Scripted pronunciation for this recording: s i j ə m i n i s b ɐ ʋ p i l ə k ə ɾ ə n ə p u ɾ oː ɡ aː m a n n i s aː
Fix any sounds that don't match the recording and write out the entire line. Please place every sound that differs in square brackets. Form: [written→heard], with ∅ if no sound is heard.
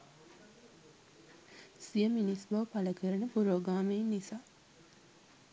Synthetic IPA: s i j ə m i n i s b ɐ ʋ p [i→a] l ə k ə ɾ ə n ə p u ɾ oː ɡ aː m [a→e] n n i s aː